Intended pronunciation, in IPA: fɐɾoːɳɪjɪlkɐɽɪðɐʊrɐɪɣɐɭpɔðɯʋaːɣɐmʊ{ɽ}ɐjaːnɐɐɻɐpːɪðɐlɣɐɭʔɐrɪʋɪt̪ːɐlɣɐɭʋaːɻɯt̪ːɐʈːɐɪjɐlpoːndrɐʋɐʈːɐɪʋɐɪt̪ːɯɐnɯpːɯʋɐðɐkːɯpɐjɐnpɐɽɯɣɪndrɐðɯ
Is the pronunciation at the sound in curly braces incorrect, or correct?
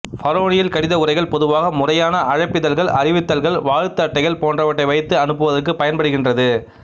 incorrect